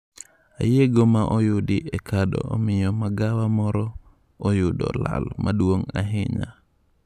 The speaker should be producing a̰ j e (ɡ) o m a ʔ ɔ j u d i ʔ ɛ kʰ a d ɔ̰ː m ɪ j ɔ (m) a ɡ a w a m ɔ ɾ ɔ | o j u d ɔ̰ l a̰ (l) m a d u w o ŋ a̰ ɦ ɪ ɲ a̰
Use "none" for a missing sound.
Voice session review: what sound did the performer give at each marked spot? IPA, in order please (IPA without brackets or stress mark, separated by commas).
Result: ɡ, m, l